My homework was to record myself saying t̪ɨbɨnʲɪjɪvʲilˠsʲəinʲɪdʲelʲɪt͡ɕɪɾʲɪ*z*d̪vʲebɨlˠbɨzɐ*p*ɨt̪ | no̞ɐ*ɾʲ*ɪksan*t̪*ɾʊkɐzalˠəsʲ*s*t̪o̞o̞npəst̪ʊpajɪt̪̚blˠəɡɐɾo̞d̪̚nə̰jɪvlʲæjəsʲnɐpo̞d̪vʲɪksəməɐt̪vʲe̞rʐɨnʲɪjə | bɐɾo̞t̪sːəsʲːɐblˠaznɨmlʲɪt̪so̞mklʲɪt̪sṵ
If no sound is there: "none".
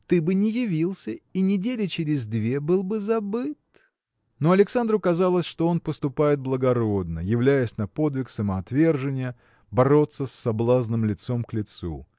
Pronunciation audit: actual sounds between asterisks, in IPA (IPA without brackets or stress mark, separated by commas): z, b, lʲ, d̪, ʂ